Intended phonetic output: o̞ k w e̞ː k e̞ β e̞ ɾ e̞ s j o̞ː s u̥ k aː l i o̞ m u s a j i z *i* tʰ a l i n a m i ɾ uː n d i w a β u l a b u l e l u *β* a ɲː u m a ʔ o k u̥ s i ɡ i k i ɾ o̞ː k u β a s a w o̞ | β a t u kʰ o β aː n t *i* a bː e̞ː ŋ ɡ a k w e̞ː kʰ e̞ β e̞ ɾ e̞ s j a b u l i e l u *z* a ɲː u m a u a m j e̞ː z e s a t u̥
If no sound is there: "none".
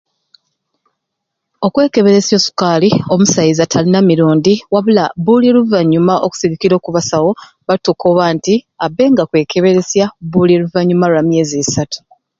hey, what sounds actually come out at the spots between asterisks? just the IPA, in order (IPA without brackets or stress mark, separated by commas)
a, v, i, v